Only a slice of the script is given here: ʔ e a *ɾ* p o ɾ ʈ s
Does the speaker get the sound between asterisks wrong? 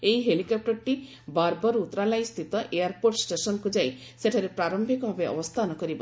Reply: no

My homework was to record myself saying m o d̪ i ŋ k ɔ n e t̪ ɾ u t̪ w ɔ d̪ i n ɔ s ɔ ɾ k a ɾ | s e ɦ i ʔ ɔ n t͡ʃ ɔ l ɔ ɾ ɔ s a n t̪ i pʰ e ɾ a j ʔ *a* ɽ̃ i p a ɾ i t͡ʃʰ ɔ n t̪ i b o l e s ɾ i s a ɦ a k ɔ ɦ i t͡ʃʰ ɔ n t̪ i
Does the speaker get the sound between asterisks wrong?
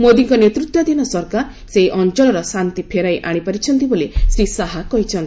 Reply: no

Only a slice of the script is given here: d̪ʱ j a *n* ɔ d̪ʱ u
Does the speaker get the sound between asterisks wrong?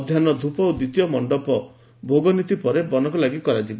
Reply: no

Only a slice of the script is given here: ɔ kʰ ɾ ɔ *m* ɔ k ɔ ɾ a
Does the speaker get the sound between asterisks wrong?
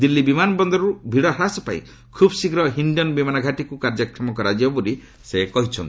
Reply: no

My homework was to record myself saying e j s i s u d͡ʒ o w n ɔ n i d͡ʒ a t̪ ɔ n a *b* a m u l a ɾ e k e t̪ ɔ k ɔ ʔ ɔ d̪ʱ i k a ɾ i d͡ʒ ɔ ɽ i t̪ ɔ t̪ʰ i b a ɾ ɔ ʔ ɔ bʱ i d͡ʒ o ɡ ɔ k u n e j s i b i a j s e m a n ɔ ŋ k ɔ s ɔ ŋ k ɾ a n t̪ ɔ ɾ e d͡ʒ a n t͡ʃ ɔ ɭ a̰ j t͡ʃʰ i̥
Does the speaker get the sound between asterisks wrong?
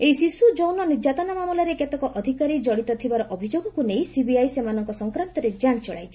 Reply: yes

